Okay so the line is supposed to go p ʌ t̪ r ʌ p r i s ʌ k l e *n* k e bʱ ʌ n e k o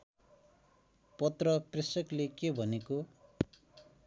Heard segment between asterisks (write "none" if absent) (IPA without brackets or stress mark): none